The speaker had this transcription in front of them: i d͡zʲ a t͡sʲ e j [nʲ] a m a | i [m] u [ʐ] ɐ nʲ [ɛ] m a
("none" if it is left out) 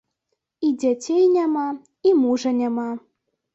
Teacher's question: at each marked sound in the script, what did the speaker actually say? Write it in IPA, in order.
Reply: nʲ, m, ʐ, a

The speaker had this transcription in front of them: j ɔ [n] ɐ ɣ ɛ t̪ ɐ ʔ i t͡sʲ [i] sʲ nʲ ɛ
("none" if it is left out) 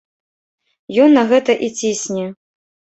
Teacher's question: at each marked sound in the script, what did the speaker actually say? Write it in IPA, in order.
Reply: nː, i

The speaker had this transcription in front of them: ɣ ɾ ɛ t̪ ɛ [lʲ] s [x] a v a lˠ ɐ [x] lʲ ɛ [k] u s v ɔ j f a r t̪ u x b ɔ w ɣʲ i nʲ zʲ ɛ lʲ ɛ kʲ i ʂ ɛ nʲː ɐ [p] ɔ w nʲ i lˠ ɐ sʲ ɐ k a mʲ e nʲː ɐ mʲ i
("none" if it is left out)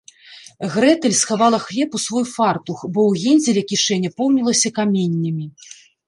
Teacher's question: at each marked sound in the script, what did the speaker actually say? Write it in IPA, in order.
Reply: lʲ, x, x, p, p

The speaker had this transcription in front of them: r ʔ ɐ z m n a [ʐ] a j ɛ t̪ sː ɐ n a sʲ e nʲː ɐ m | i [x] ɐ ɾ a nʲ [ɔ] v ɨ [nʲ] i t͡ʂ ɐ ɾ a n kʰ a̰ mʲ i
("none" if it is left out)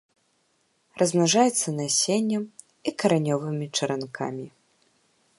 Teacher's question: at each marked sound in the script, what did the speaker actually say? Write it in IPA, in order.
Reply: ʐ, k, ɔ, mʲ

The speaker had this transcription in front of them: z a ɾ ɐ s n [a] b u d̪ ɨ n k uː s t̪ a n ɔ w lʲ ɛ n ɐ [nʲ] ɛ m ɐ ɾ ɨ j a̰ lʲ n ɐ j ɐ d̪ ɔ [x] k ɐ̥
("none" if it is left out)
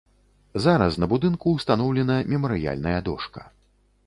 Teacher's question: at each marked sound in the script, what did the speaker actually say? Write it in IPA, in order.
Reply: ɐ, mʲ, ʂ

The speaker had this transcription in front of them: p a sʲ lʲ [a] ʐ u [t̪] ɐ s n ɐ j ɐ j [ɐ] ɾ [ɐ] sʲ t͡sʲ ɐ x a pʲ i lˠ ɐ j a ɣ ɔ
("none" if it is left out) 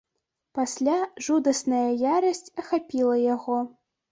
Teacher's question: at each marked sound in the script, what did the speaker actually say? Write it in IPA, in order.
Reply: a, d̪, a, ɐ

